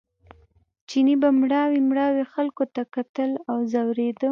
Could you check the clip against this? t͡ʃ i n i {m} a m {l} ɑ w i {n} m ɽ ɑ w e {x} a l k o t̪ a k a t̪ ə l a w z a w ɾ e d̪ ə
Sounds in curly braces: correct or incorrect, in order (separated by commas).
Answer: incorrect, incorrect, incorrect, correct